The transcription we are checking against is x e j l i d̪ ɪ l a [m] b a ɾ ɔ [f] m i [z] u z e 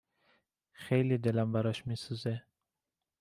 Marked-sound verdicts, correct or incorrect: correct, incorrect: ʃ, incorrect: s

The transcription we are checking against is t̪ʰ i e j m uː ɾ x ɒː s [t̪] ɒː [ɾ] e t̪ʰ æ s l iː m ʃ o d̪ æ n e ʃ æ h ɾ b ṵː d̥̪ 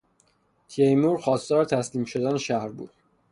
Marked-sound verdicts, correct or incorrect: correct, correct

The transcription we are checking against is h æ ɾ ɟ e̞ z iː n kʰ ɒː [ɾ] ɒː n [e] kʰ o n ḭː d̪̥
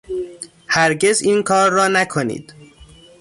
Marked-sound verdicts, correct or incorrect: incorrect: ɾː, incorrect: æ

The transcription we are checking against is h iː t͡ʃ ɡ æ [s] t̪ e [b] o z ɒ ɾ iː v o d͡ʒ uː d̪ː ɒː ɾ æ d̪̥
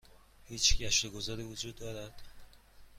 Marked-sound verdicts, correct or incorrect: incorrect: ʃ, incorrect: ɡ

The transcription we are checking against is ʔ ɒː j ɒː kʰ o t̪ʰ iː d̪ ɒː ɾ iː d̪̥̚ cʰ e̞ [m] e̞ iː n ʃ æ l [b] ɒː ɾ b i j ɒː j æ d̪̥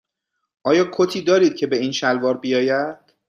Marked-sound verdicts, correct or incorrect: incorrect: b, incorrect: v

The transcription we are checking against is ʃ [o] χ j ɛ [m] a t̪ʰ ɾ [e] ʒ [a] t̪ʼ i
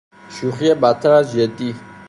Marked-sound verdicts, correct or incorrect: incorrect: u, incorrect: b, incorrect: a, incorrect: ɛ

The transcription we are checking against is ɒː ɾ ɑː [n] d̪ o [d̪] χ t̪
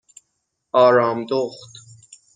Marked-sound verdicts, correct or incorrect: incorrect: m, incorrect: none

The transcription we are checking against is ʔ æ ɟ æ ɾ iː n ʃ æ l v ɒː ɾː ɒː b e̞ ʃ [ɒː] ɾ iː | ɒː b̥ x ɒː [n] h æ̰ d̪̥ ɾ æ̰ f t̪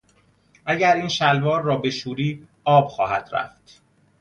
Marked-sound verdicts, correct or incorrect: incorrect: uː, incorrect: none

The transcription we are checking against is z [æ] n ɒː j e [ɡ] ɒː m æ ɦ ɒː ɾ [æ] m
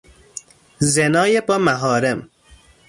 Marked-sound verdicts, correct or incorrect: incorrect: e, incorrect: b, incorrect: e

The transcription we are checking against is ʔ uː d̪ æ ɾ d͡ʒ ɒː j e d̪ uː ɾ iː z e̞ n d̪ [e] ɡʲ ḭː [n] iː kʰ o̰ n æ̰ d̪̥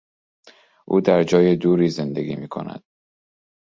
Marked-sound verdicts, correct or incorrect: correct, incorrect: m

